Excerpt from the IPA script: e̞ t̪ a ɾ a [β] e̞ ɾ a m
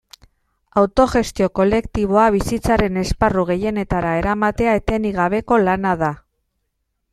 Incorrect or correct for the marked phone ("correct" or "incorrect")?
incorrect